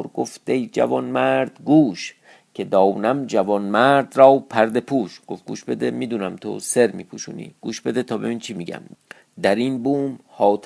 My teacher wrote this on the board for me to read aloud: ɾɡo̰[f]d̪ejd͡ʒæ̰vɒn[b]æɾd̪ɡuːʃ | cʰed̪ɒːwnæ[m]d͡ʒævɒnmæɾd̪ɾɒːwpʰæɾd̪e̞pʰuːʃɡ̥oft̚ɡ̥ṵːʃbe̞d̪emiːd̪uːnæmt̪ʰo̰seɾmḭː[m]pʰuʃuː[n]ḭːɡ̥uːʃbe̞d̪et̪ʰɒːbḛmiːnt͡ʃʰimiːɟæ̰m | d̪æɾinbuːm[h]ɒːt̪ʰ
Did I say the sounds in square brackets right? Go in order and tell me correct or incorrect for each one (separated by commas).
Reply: correct, incorrect, correct, incorrect, correct, correct